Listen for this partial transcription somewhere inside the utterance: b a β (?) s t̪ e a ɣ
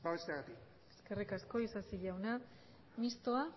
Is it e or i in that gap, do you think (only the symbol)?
e